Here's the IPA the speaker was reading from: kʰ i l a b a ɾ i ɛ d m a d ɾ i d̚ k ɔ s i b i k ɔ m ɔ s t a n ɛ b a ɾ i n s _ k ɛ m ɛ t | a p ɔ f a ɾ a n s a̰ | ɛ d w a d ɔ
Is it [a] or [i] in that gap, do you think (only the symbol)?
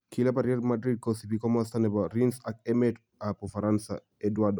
a